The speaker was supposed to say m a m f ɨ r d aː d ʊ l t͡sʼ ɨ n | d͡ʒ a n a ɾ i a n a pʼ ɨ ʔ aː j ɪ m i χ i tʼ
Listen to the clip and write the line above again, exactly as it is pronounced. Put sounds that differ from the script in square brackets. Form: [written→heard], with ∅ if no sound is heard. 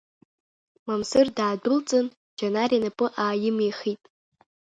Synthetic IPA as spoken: m a m [f→s] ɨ r d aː d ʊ l t͡sʼ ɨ n | d͡ʒ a n a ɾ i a n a pʼ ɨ ʔ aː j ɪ m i χ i tʼ